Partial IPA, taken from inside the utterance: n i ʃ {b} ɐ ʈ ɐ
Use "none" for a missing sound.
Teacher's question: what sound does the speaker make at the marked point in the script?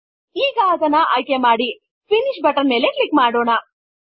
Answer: b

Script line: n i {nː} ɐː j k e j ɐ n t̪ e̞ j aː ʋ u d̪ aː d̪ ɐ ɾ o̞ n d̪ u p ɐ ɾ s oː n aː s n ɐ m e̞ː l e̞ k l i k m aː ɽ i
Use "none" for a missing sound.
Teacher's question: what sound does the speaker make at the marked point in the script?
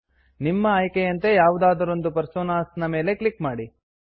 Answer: mː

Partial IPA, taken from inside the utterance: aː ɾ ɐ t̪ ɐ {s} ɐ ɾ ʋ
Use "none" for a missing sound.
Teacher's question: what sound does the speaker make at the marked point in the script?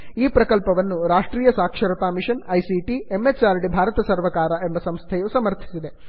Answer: s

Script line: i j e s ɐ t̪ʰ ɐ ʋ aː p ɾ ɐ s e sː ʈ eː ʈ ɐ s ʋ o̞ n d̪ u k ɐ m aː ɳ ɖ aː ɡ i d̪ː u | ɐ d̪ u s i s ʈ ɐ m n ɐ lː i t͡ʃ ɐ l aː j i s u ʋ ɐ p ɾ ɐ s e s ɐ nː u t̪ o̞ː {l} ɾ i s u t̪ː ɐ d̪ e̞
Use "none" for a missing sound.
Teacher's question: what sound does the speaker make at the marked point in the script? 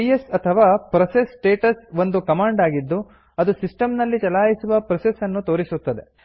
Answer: none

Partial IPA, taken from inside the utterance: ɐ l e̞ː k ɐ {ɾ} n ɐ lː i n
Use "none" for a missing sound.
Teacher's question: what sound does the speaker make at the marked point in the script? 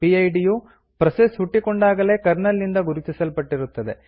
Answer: ɾ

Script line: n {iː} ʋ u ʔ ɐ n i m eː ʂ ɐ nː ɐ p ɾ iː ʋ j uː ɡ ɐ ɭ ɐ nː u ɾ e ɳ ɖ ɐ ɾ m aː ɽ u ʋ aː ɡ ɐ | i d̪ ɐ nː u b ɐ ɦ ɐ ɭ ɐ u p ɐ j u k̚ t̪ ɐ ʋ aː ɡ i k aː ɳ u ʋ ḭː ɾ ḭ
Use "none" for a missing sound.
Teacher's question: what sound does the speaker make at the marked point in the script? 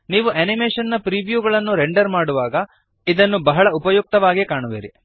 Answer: iː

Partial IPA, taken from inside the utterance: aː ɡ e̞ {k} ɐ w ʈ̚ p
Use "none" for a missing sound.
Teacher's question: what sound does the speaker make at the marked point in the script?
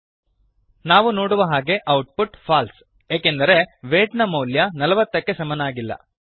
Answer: ʔ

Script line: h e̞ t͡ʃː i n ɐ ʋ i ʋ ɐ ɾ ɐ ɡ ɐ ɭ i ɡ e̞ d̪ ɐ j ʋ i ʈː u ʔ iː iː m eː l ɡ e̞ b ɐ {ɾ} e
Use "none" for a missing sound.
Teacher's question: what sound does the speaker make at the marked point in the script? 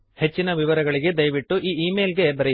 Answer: ɾ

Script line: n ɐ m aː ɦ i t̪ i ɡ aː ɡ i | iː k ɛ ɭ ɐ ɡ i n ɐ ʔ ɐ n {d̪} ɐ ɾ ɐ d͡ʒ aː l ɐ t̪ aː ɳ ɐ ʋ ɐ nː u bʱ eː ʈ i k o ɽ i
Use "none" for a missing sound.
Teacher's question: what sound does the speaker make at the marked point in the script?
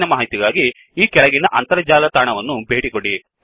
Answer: t̪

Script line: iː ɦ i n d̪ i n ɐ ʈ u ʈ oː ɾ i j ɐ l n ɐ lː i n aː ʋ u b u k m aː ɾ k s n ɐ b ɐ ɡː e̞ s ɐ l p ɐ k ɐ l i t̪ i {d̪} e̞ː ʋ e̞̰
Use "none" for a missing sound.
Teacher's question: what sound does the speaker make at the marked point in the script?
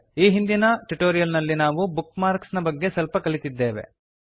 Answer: d̪ː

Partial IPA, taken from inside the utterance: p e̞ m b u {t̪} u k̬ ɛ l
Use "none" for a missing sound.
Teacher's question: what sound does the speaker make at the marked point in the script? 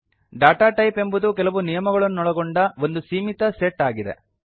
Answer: d̪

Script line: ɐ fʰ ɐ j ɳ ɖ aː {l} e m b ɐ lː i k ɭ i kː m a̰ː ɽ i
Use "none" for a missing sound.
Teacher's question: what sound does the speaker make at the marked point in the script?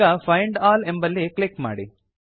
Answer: l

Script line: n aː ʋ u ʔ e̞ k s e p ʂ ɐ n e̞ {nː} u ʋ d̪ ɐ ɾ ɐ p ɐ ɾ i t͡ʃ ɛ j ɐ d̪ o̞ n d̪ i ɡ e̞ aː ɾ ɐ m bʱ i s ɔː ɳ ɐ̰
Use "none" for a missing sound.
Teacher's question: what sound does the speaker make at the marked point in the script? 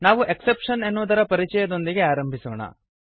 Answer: nː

